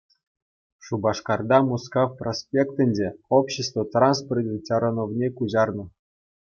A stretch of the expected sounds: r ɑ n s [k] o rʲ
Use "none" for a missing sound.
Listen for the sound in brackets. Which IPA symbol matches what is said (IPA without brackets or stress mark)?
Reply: p